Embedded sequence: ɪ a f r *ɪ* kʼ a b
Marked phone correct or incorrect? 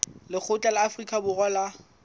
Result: incorrect: i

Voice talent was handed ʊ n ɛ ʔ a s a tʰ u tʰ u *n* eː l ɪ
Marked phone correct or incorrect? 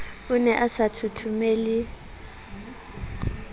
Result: incorrect: m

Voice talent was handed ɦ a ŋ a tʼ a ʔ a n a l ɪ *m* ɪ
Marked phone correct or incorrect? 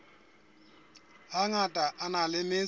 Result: correct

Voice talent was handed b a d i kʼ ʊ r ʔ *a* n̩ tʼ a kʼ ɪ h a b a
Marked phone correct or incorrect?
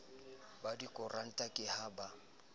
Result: correct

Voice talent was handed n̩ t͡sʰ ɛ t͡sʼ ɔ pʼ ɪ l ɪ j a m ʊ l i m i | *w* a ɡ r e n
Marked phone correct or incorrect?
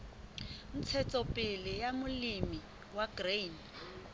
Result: correct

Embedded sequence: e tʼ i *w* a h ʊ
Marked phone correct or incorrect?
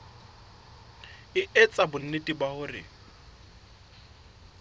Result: incorrect: b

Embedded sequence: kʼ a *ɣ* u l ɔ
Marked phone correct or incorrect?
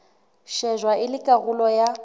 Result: correct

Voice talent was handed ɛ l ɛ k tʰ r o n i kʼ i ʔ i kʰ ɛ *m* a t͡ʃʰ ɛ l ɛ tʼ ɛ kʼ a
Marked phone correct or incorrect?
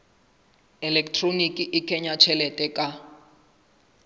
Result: incorrect: ɲ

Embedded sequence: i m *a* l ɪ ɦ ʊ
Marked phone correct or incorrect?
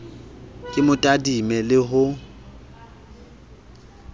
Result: incorrect: ɛ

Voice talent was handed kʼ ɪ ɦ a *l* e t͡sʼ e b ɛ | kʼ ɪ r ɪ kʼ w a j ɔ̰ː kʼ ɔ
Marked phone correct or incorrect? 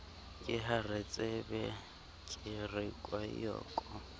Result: incorrect: r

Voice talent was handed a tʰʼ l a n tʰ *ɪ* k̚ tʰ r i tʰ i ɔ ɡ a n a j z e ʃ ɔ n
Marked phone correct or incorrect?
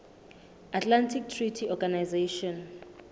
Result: incorrect: i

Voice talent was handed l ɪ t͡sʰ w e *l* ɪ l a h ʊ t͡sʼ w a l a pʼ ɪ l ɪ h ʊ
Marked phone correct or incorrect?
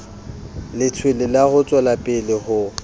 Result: correct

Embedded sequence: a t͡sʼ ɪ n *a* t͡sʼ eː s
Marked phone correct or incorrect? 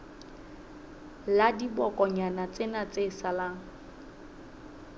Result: correct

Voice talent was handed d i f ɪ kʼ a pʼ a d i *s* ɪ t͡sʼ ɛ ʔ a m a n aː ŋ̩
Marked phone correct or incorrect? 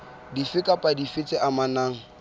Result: incorrect: f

